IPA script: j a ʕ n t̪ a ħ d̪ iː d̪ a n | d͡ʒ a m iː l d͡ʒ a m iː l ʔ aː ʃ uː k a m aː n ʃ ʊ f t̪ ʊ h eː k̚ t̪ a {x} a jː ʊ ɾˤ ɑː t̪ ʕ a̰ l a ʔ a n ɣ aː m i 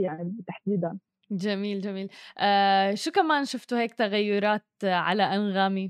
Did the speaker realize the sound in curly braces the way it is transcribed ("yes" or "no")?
no